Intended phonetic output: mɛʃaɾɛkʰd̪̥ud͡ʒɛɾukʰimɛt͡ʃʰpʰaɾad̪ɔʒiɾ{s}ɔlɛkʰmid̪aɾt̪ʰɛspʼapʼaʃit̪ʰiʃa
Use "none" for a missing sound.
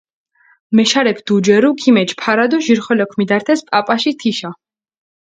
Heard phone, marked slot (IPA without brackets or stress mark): χ